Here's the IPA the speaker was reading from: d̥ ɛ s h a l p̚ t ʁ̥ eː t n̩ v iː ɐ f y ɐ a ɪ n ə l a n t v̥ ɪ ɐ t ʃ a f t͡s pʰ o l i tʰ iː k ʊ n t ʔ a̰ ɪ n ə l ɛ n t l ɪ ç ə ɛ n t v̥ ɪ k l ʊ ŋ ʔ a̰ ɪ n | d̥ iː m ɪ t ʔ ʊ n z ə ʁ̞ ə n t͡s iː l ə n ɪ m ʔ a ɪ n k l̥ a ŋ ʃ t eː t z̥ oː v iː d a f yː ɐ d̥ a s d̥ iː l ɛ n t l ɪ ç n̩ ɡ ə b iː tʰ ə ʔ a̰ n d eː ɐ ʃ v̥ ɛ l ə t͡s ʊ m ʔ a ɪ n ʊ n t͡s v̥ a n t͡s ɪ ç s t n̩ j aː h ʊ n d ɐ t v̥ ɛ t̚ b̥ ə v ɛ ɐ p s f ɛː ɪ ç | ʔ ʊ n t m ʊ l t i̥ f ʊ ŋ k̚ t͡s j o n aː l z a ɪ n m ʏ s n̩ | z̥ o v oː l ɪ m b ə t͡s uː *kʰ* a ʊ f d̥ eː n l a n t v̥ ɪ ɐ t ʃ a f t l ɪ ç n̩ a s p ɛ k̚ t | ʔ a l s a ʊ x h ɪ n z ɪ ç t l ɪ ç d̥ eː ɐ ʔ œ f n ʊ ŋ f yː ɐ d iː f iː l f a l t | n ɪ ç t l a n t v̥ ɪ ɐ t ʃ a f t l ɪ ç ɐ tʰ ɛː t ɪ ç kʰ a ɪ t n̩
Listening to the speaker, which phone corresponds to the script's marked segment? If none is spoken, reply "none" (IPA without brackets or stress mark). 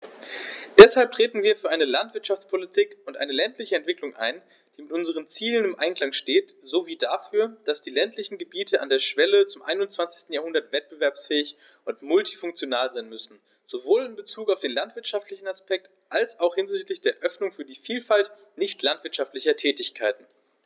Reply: k